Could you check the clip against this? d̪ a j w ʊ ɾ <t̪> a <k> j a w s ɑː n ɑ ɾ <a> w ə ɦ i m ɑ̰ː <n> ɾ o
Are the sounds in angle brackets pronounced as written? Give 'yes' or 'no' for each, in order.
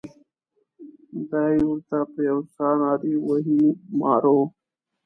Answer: yes, no, no, no

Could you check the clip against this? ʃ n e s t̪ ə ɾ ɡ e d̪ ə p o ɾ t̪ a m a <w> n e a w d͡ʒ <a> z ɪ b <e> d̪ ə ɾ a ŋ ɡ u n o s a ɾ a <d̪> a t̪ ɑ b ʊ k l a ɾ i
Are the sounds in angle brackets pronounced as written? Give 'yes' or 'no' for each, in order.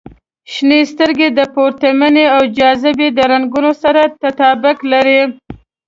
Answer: no, no, yes, no

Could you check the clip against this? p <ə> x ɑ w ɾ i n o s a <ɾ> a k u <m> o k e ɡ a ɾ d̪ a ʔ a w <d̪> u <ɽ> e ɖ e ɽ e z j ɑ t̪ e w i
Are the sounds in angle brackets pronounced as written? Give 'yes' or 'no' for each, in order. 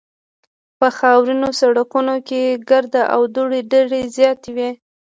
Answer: yes, no, no, yes, yes

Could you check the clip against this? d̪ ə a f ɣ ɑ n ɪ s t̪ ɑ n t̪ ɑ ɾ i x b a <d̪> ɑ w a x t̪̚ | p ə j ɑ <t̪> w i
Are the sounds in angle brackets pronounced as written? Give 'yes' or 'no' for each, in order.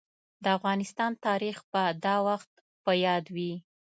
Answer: yes, no

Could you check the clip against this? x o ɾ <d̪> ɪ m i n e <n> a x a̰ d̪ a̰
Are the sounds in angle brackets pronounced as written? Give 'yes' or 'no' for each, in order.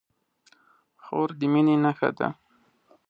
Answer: yes, yes

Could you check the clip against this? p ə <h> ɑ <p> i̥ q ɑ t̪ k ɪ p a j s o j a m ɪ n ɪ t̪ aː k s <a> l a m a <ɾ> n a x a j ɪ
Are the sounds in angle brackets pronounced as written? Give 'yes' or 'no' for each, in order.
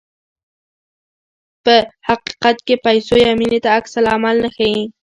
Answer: yes, no, yes, no

